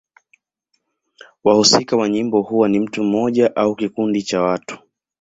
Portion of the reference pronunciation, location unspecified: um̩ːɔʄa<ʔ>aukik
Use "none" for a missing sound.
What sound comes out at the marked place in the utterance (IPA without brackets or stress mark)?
ʔ